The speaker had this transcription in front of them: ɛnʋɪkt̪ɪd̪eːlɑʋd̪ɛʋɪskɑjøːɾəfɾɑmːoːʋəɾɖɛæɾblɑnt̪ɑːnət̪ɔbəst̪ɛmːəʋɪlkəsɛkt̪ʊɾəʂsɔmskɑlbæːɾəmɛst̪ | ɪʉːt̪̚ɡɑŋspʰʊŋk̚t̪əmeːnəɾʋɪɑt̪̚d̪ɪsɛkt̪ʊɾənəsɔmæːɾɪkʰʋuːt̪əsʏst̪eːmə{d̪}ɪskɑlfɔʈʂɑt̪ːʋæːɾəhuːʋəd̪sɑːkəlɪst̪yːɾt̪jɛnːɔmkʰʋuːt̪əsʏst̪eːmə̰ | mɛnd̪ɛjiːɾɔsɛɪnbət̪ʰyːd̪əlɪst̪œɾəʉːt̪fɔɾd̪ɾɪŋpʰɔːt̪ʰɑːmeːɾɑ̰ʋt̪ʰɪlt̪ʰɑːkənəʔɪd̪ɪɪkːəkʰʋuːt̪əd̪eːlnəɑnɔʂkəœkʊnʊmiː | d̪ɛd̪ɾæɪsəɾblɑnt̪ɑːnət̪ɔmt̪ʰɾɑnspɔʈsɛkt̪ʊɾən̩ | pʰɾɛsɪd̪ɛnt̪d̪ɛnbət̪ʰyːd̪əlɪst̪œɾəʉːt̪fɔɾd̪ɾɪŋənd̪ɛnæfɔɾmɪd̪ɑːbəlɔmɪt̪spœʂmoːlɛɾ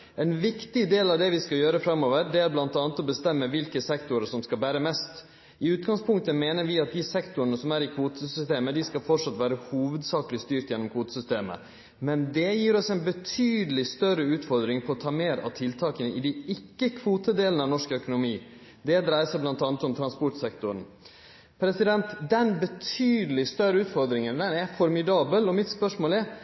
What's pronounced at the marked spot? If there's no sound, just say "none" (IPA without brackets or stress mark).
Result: d̪